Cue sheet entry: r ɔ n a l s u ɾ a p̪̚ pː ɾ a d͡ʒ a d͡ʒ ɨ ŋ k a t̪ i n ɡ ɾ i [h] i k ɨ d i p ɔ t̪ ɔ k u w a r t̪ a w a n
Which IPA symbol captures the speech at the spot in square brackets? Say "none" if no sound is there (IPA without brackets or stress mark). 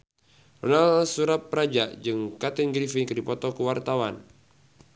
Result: f